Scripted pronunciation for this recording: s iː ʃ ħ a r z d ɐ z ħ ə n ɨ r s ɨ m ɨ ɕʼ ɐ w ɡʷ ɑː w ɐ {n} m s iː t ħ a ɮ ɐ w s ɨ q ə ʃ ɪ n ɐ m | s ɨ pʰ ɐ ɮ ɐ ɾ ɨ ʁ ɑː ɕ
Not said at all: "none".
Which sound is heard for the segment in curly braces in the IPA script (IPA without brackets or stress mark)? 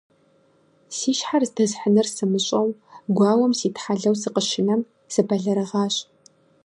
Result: none